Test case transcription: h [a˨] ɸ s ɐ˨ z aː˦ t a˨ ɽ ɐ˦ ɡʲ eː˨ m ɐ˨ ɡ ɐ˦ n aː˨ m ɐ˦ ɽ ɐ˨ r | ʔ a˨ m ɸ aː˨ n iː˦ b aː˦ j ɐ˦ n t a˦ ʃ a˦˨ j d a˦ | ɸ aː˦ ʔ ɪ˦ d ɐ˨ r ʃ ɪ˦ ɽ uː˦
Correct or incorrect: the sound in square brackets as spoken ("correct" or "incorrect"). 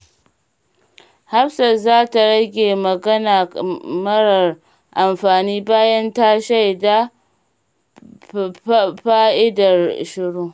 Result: incorrect